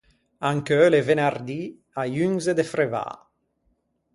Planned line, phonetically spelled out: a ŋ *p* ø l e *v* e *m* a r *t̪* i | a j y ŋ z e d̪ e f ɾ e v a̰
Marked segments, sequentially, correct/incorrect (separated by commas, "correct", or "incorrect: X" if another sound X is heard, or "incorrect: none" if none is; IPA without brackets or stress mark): incorrect: k, correct, incorrect: n, incorrect: d̪